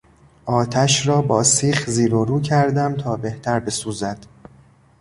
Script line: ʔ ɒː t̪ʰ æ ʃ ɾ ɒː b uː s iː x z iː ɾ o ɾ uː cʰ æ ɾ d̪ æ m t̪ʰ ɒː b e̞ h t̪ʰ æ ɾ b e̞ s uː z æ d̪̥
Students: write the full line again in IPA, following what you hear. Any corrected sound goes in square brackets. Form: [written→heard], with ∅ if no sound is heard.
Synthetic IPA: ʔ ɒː t̪ʰ æ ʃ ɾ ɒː b [uː→ɒː] s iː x z iː ɾ o ɾ uː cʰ æ ɾ d̪ æ m t̪ʰ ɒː b e̞ h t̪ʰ æ ɾ b e̞ s uː z æ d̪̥